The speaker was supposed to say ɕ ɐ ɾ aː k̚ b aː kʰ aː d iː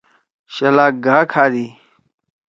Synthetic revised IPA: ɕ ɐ l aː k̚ ɡ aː kʰ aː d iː